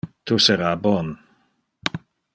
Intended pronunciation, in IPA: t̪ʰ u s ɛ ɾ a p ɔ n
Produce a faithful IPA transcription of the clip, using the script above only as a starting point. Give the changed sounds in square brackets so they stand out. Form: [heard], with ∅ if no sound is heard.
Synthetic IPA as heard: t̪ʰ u s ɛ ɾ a [b] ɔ n

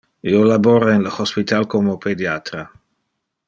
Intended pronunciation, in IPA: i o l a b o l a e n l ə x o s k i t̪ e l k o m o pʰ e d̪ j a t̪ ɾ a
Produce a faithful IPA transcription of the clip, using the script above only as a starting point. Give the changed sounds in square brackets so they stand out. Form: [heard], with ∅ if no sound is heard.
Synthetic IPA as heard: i o l a b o [ɾ] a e n l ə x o s [p] i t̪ [a] l k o m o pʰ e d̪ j a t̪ ɾ a

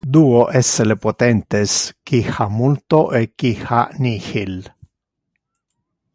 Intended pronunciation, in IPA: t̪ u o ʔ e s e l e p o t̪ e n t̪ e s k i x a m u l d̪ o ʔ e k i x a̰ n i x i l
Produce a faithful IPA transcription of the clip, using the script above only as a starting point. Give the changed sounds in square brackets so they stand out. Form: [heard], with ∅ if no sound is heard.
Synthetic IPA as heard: [d̪] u o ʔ e s e l e p o t̪ e n t̪ e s k i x a m u l [t̪] o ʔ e k i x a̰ n i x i l

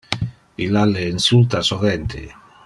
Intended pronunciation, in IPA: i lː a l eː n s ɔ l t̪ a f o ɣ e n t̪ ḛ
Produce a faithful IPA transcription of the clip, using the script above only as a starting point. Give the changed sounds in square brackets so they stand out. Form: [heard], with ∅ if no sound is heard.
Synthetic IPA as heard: i [l] a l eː n s [u] l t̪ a [s] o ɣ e n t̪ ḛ

